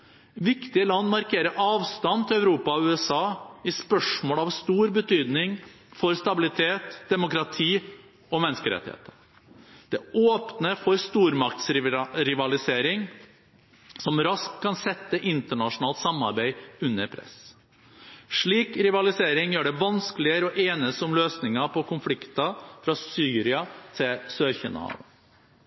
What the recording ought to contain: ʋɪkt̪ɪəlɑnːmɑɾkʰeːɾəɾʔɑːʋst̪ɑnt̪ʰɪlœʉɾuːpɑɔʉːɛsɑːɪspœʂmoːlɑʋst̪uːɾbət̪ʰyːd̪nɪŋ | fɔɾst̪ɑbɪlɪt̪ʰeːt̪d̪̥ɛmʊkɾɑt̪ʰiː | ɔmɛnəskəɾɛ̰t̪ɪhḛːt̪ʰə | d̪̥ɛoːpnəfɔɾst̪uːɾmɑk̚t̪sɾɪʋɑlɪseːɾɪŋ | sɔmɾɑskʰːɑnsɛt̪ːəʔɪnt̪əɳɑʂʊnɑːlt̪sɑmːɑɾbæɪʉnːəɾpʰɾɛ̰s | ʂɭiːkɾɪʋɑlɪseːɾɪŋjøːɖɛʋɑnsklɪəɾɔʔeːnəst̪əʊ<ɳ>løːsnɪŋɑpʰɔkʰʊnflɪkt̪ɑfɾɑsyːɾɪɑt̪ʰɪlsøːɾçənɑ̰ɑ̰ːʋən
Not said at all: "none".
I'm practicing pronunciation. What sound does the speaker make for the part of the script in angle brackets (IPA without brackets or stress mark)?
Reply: m